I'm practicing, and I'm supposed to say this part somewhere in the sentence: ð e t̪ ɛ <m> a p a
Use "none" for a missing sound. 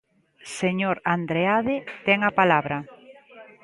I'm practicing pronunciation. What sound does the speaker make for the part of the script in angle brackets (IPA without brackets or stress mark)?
ŋ